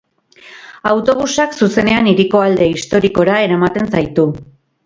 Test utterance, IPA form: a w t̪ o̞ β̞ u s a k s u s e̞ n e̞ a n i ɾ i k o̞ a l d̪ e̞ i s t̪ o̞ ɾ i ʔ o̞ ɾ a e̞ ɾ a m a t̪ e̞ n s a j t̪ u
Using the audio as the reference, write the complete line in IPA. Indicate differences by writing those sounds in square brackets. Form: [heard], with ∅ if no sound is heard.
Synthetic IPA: a w t̪ o̞ β̞ u s a k s u s e̞ n e̞ a n i ɾ i k o̞ a l d̪ e̞ i s t̪ o̞ ɾ i [k] o̞ ɾ a e̞ ɾ a m a t̪ e̞ n s a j t̪ u